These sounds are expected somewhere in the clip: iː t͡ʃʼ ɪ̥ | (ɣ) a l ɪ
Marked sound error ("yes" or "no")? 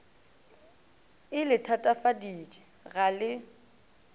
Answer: no